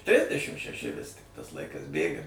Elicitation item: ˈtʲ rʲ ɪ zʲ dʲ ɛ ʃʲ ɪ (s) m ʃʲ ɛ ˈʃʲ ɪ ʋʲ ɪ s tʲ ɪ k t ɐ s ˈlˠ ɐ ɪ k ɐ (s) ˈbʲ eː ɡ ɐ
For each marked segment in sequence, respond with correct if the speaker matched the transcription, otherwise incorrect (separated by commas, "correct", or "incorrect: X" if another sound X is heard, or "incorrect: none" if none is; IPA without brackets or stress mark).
incorrect: none, correct